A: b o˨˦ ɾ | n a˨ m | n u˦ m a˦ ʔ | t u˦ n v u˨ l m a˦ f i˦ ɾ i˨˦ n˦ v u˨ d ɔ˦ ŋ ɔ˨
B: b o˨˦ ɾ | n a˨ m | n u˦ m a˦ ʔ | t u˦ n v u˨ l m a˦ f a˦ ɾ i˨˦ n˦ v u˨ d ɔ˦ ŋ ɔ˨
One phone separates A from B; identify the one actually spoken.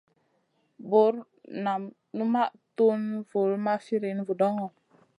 A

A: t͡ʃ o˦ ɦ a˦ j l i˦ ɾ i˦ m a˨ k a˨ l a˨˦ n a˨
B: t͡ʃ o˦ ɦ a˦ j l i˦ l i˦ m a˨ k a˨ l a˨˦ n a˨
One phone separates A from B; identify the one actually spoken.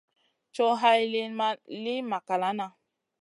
B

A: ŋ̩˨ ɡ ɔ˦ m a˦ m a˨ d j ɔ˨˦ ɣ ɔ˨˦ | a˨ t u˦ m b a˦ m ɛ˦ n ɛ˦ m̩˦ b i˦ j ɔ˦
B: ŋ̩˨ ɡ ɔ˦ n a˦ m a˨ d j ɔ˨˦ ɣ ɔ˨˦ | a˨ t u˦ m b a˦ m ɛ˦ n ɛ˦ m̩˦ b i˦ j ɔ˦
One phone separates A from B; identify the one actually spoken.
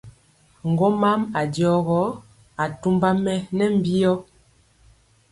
A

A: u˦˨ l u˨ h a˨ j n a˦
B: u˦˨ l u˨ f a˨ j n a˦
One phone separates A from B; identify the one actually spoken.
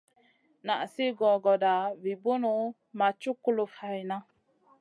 B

